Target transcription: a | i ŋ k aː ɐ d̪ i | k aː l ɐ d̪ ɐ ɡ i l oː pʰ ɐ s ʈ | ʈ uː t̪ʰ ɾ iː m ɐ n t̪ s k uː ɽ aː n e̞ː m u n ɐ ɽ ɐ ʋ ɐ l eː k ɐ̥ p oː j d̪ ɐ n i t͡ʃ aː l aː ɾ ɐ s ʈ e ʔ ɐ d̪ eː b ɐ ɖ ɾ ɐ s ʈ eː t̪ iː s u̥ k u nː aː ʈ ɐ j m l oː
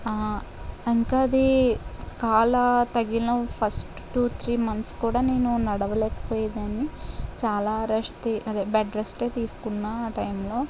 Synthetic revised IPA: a | i ŋ k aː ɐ d̪ i | k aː l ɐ t̪ ɐ ɡ i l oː pʰ ɐ s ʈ | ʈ uː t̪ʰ ɾ iː m ɐ n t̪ s k uː ɽ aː n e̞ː n u n ɐ ɽ ɐ ʋ ɐ l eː k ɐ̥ p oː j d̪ ɐ n i t͡ʃ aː l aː ɾ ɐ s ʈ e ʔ ɐ d̪ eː b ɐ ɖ ɾ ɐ s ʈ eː t̪ iː s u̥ k u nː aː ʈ ɐ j m l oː